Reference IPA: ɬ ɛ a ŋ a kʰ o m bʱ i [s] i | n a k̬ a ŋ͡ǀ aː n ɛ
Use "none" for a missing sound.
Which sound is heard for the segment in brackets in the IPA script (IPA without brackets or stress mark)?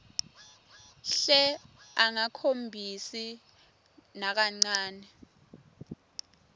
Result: s